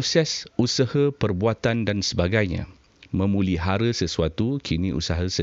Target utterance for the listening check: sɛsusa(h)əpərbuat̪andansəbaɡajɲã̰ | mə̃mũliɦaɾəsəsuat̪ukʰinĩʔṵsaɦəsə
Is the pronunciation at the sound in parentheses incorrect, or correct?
correct